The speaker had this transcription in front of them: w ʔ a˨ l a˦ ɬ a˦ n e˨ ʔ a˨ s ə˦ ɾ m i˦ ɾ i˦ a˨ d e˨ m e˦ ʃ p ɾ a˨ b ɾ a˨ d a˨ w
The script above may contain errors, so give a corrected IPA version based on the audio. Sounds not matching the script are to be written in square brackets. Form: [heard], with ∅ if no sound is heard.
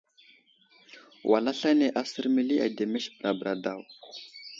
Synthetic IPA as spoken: w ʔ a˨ l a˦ ɬ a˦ n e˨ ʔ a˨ s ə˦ ɾ m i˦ [l] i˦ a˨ d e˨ m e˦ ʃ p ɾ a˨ b ɾ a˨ d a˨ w